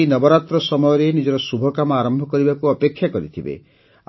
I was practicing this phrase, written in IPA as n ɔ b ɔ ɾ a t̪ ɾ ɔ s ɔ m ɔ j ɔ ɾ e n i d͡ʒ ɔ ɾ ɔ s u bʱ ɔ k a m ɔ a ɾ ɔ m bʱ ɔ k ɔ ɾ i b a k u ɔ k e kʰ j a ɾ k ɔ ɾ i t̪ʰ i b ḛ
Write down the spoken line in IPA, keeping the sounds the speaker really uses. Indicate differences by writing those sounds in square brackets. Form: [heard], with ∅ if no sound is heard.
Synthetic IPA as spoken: n ɔ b ɔ ɾ a t̪ ɾ ɔ s ɔ m ɔ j ɔ ɾ e n i d͡ʒ ɔ ɾ ɔ s u bʱ ɔ k a m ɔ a ɾ ɔ m bʱ ɔ k ɔ ɾ i b a k u ɔ [p] e kʰ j a [∅] k ɔ ɾ i t̪ʰ i b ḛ